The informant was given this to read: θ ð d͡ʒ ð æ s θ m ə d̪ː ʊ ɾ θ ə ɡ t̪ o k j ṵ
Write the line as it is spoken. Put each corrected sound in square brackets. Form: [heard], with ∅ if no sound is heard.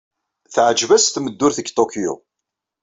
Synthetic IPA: θ [ʕ] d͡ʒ [v] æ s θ m ə d̪ː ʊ ɾ θ ə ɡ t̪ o k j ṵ